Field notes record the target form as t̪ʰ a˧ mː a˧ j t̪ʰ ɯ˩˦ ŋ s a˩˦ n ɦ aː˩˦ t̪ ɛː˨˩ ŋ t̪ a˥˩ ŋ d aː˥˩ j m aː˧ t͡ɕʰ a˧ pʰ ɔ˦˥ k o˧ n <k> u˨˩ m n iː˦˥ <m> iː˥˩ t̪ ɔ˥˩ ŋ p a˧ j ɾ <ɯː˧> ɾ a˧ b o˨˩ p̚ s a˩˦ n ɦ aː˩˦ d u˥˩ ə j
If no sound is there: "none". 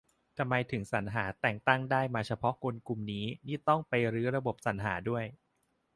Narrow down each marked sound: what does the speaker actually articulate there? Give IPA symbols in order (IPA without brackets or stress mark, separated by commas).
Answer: k, n, ɯː˦˥